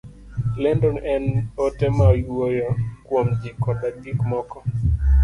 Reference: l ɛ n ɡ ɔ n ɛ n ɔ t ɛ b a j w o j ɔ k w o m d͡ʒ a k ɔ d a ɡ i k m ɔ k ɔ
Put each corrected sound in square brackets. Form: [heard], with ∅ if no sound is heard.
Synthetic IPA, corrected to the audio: l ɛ n [d] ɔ n ɛ n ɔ t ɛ [m] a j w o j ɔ k w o m d͡ʒ [i] k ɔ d a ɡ i k m ɔ k ɔ